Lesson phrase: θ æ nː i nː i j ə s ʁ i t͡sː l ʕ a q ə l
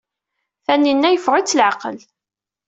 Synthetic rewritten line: θ æ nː i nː æ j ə f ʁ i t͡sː l ʕ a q ə l